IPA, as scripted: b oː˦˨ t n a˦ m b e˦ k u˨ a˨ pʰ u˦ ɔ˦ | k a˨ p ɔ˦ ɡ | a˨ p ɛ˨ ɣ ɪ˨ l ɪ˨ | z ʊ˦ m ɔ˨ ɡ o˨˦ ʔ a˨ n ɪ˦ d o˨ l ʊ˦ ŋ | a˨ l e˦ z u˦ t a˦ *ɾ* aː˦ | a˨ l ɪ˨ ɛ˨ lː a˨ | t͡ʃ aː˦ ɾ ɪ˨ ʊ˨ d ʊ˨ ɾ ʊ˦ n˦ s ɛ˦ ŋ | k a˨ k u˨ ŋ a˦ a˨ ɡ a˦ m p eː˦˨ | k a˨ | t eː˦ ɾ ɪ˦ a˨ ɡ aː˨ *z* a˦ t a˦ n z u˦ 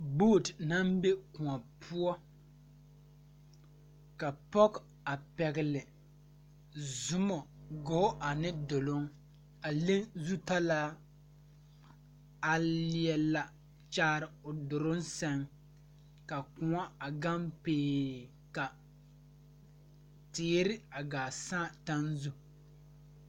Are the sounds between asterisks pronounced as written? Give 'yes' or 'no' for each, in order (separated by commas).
no, no